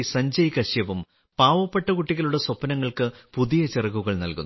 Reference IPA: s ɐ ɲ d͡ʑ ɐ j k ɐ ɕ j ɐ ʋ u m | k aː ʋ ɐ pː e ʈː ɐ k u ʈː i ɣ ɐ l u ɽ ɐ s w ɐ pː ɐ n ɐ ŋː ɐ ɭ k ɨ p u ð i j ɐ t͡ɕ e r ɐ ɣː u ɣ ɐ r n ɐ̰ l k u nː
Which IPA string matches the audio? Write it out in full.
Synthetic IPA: s ɐ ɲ d͡ʑ ɐ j k ɐ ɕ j ɐ ʋ u m | p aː ʋ ɐ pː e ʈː ɐ k u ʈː i ɣ ɐ l u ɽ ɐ s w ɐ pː ɐ n ɐ ŋː ɐ ɭ k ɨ p u ð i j ɐ t͡ɕ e r ɐ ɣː u ɣ ɐ ɭ n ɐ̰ l k u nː